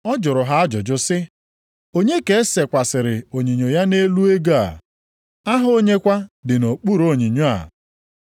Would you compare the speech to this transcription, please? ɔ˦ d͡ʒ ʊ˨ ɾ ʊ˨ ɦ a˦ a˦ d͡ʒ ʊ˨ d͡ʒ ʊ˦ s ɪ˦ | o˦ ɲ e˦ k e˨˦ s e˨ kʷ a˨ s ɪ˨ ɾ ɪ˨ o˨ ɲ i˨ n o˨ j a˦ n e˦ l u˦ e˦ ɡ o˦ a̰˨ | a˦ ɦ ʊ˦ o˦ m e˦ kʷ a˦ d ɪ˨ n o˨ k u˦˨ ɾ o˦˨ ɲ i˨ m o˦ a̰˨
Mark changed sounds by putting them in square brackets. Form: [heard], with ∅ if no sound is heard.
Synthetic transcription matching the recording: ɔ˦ d͡ʒ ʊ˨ ɾ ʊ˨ ɦ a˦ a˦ d͡ʒ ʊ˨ d͡ʒ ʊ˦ s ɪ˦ | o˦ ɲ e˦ k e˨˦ s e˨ kʷ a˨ s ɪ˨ ɾ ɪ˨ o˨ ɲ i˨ [ɲ] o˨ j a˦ n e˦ l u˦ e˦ ɡ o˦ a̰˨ | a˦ ɦ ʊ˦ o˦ [ɲ] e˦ kʷ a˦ d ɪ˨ n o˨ [k͡p] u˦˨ ɾ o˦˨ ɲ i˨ [ɲ] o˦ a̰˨